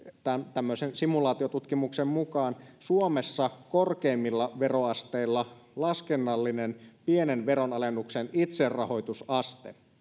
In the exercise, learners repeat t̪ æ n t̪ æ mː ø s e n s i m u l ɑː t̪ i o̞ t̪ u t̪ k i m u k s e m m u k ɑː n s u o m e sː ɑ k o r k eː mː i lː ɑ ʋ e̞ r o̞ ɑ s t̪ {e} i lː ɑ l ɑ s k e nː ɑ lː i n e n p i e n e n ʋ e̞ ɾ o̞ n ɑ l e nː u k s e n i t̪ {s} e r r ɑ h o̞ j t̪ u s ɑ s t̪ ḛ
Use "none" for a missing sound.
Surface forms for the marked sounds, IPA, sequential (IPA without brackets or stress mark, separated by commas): e, s